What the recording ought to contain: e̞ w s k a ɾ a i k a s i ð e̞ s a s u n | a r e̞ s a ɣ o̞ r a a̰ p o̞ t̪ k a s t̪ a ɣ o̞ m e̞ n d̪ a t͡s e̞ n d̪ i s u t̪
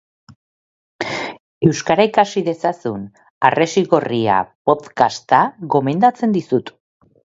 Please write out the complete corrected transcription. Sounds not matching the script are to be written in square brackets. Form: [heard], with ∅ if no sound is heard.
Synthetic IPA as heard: e̞ w s k a ɾ a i k a s i ð e̞ s a s u n | a r e̞ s [i] ɣ o̞ r [i] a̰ p o̞ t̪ k a s t̪ a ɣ o̞ m e̞ n d̪ a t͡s e̞ n d̪ i s u t̪

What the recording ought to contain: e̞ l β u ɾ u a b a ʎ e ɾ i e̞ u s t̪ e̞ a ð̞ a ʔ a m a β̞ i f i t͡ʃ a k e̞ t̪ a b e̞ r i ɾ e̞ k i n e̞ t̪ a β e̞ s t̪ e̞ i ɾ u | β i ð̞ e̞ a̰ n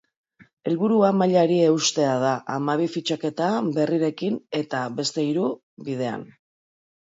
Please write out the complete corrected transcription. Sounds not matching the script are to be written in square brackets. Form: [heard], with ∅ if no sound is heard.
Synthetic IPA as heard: e̞ l β u ɾ u a [m] a ʎ [a] ɾ i e̞ u s t̪ e̞ a ð̞ a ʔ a m a β̞ i f i t͡ʃ a k e̞ t̪ a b e̞ r i ɾ e̞ k i n e̞ t̪ a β e̞ s t̪ e̞ i ɾ u | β i ð̞ e̞ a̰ n

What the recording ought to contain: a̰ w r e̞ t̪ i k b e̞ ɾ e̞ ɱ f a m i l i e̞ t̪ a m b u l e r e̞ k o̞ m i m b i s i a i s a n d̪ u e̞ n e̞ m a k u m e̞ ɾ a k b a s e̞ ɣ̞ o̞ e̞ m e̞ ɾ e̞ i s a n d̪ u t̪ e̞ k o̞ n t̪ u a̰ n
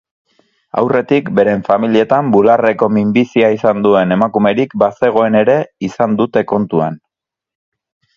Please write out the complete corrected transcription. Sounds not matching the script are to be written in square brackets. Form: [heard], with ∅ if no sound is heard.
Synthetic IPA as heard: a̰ w r e̞ t̪ i k b e̞ ɾ e̞ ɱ f a m i l i e̞ t̪ a m b u l [a] r e̞ k o̞ m i m b i s i a i s a n d̪ u e̞ n e̞ m a k u m e̞ ɾ [i] k b a s e̞ ɣ̞ o̞ e̞ [n] e̞ ɾ e̞ i s a n d̪ u t̪ e̞ k o̞ n t̪ u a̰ n

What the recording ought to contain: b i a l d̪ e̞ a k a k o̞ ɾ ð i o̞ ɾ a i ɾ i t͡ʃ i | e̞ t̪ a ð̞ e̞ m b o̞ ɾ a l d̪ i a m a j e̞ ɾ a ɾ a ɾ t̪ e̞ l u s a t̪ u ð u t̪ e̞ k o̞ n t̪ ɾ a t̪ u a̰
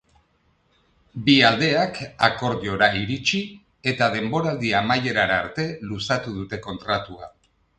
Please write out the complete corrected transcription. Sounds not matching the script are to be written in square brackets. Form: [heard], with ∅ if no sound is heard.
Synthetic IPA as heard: b i a l d̪ e̞ a k a k o̞ ɾ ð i o̞ ɾ a i ɾ i t͡ʃ i | e̞ t̪ a ð̞ e̞ m b o̞ ɾ a l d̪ i a m a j e̞ ɾ a ɾ a ɾ t̪ e̞ l u s a t̪ u ð u t̪ e̞ k o̞ n t̪ ɾ a t̪ u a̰

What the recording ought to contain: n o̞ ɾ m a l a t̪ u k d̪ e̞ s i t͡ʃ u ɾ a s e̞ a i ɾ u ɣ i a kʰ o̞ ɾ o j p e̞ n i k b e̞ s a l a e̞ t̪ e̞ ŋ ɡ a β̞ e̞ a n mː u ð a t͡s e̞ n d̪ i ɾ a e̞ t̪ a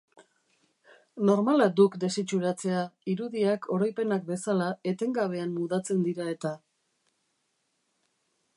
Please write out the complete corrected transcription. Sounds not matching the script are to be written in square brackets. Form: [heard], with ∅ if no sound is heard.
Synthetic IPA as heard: n o̞ ɾ m a l a [d̪] u k d̪ e̞ s i t͡ʃ u ɾ a [t͡s] e̞ a i ɾ u [ð] i a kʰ o̞ ɾ o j p e̞ n [a] k b e̞ s a l a e̞ t̪ e̞ ŋ ɡ a β̞ e̞ a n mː u ð a t͡s e̞ n d̪ i ɾ a e̞ t̪ a

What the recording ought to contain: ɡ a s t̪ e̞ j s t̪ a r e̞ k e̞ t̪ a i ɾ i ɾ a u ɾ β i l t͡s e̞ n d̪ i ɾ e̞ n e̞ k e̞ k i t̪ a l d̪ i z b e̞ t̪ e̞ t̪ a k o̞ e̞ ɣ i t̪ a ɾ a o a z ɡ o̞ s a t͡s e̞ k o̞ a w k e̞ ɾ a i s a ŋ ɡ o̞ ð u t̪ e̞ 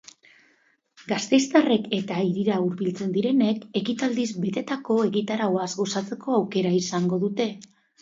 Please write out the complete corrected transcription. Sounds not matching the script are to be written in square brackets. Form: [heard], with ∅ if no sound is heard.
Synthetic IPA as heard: ɡ a s t̪ e̞ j s t̪ a r e̞ k e̞ t̪ a i ɾ i ɾ a u ɾ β i l t͡s e̞ n d̪ i ɾ e̞ n e̞ k e̞ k i t̪ a l d̪ i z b e̞ t̪ e̞ t̪ a k o̞ e̞ ɣ i t̪ a ɾ a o a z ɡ o̞ s a t͡s e̞ k o̞ a w k e̞ ɾ a i s a ŋ ɡ o̞ ð u t̪ e̞

